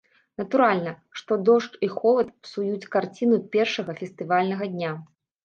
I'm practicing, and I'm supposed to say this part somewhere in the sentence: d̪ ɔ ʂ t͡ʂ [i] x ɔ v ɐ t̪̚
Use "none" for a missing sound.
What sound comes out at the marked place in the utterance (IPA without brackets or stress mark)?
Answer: i